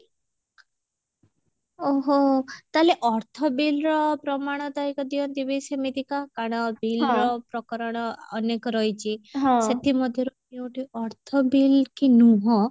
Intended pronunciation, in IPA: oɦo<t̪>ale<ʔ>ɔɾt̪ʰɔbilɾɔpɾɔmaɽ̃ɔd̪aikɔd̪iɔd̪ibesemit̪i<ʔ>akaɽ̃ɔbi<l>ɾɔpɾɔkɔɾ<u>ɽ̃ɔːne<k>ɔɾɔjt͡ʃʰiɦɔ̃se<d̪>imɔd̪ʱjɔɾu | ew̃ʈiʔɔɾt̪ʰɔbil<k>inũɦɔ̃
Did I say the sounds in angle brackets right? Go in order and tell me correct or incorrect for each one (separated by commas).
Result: correct, correct, incorrect, correct, incorrect, correct, incorrect, correct